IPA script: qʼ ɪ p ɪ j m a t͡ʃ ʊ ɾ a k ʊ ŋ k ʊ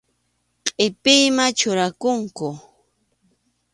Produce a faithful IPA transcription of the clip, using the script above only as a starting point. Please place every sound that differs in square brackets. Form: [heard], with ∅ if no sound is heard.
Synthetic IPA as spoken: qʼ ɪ p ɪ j m a t͡ʃ ʊ ɾ a k ʊ ŋ k ʊ